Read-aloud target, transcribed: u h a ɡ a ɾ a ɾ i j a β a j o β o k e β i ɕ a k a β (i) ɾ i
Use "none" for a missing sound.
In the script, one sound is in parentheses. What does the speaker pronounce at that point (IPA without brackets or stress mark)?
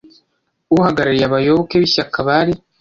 a